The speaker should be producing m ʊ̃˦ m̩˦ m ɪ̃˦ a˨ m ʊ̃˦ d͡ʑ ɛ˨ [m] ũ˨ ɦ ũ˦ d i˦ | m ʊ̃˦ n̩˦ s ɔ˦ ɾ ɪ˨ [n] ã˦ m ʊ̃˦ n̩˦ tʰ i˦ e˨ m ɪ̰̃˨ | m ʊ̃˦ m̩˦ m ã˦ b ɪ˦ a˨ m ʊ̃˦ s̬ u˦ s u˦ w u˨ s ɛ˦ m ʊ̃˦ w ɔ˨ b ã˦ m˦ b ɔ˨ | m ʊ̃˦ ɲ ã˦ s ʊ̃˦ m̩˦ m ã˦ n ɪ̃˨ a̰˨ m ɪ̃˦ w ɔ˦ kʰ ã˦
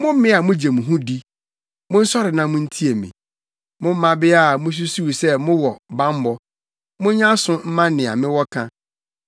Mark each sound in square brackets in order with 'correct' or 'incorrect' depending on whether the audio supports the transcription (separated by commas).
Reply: correct, correct